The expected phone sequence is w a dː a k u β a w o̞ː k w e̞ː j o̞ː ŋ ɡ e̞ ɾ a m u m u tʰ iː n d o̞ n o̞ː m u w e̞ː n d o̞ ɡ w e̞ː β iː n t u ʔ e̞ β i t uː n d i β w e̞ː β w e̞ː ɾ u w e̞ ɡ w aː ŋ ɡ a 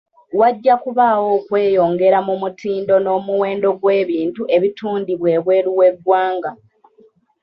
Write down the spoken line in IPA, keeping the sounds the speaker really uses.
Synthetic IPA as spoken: w a ɟː a k u β a w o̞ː k w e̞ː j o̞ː ŋ ɡ e̞ ɾ a m u m u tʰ iː n d o̞ n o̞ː m u w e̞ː n d o̞ ɡ w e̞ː β iː n t u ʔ e̞ β i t uː n d i β w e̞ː β w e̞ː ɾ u w e̞ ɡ w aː ŋ ɡ a